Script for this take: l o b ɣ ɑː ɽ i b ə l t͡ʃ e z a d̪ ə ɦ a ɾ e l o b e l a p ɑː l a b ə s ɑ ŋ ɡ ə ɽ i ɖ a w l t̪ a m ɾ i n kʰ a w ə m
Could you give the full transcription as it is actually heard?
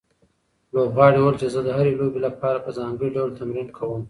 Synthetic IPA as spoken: l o b ɣ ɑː ɽ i w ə l t͡ʃ e z ə d̪ ə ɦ a ɾ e l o b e l a p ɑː ɾ a p ə z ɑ ŋ ɡ ə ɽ i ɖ a w l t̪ a m ɾ i n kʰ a w ə m